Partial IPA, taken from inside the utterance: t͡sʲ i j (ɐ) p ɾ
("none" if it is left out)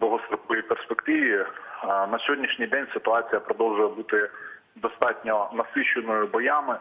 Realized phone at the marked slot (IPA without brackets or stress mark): ɐ